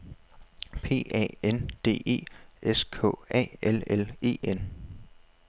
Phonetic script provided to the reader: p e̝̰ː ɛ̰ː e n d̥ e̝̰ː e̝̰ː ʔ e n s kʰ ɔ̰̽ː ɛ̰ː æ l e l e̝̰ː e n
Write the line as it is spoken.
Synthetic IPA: pʰ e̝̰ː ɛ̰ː e n d̥ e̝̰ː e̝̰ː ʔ e s kʰ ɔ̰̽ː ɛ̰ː e l e l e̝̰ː e n